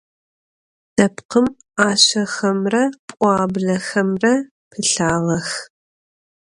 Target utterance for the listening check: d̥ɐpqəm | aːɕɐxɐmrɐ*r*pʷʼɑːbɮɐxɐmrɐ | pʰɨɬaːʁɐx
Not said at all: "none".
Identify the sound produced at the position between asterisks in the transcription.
none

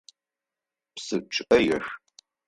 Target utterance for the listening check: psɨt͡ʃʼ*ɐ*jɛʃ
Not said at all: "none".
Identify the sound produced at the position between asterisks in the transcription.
ɐ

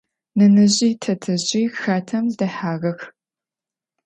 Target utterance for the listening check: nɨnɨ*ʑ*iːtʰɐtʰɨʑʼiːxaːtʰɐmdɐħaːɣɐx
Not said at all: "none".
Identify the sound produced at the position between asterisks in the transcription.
ʑ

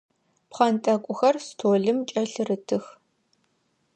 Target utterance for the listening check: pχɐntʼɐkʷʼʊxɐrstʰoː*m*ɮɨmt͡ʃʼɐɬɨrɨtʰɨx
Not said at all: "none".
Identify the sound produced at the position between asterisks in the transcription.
none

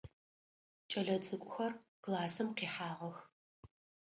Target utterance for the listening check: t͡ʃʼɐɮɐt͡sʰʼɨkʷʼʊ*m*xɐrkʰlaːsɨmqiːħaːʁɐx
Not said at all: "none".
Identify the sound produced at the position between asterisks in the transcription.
none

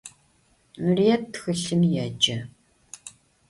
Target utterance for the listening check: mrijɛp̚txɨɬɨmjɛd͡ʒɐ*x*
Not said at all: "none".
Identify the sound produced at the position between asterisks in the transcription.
none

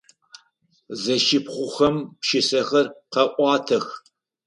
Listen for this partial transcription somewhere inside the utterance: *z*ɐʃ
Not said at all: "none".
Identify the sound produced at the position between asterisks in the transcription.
z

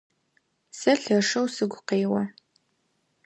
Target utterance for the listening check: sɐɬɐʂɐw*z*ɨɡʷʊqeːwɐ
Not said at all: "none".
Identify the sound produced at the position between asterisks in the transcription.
s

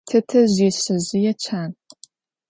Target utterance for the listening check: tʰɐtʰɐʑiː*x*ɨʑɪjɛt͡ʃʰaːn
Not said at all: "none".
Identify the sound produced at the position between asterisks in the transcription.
ɕ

